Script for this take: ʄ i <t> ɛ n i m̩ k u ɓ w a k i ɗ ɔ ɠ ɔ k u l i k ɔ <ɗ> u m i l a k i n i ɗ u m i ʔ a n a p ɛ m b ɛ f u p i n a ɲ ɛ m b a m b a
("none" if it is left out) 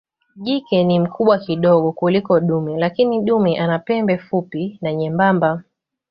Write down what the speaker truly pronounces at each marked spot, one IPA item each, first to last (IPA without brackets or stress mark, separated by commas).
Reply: k, ɗ